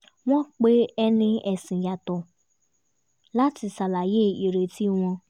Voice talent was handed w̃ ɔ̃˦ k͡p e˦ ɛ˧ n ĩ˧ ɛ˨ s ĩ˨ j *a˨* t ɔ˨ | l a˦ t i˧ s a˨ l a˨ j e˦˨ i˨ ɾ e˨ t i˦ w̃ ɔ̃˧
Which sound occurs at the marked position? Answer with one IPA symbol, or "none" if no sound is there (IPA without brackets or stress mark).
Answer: a˨